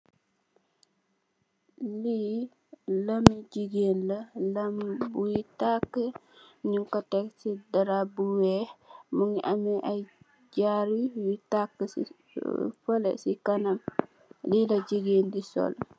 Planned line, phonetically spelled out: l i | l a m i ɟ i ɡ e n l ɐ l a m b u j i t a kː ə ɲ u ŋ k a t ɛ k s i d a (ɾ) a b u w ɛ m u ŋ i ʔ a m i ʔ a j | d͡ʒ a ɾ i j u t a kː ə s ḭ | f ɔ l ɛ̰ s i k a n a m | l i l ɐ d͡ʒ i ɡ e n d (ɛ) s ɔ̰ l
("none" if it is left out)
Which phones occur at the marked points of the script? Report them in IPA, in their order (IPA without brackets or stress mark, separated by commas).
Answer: ɾ, i